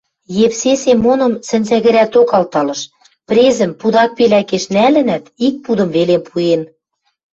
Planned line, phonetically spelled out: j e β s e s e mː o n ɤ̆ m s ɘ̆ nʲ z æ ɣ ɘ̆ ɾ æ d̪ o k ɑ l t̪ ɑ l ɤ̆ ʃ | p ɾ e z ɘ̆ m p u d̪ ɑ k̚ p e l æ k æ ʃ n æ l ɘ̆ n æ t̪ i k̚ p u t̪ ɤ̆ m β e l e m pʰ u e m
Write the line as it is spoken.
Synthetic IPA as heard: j e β s e s e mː o n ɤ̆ m s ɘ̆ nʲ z æ ɣ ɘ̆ ɾ æ t̪ o k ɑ l t̪ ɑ l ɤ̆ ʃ | p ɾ e z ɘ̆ m p u d̪ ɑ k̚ p e l æ k e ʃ n æ l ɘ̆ n æ t̪ i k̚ p u d̪ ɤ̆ m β e l e m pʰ u e n